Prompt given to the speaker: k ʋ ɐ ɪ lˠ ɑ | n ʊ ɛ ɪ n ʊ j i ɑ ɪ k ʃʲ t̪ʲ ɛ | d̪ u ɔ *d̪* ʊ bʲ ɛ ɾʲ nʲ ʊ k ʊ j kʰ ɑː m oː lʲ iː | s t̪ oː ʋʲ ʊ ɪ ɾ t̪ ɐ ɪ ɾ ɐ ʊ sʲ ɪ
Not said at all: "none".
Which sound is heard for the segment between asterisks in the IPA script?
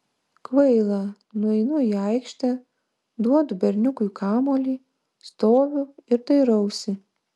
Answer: d̪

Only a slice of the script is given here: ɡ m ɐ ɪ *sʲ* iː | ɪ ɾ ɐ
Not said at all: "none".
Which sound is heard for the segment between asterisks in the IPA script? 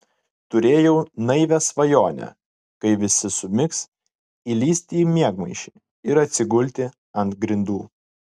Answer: ʃʲ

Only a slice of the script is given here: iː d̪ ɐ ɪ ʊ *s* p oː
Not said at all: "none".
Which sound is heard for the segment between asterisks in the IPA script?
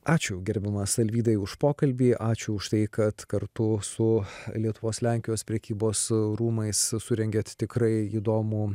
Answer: ʃ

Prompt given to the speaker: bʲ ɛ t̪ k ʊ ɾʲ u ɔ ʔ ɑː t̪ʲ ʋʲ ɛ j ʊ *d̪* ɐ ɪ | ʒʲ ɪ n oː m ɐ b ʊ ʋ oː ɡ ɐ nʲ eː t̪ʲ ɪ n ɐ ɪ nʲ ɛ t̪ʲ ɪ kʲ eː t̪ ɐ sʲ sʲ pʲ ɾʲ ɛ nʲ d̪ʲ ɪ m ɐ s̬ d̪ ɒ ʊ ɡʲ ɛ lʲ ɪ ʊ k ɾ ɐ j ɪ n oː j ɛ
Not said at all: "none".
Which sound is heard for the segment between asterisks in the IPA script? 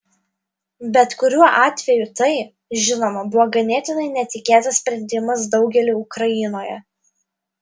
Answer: t̪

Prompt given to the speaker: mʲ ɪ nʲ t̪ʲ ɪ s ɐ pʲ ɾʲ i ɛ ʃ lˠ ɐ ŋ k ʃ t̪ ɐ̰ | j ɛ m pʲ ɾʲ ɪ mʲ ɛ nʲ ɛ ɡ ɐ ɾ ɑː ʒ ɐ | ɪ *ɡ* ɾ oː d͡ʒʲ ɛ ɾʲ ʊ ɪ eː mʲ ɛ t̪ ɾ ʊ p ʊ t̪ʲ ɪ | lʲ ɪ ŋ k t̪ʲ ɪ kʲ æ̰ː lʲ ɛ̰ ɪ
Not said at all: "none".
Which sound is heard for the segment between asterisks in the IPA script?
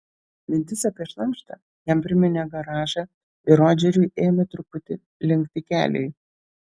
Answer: none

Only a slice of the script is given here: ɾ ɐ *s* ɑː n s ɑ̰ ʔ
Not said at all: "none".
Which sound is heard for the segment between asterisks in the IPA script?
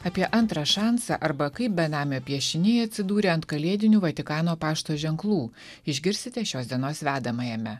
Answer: ʃ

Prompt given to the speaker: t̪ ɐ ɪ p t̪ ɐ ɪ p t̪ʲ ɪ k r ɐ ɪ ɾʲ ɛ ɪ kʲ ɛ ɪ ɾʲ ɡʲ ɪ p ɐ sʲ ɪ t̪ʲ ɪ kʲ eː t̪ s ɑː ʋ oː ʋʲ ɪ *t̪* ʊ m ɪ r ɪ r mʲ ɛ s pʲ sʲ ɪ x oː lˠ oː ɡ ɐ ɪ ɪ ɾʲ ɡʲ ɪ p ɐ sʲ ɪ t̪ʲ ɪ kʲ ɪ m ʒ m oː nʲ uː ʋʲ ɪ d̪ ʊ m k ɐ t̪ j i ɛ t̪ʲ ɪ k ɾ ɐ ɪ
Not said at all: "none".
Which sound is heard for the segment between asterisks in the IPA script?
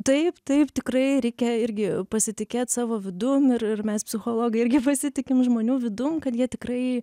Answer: d̪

